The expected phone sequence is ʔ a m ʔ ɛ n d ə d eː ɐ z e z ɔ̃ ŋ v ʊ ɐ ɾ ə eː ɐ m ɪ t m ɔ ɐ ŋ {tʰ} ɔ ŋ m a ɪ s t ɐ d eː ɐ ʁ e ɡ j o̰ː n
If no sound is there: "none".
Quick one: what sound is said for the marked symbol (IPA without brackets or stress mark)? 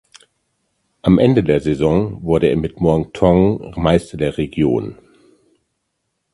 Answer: tʰ